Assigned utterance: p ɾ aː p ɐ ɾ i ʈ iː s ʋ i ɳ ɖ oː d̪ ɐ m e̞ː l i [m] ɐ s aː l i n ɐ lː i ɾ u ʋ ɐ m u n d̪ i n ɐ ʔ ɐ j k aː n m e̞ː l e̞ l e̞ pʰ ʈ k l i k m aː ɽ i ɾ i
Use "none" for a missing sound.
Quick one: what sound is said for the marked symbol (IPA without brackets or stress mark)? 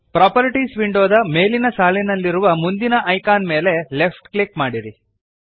n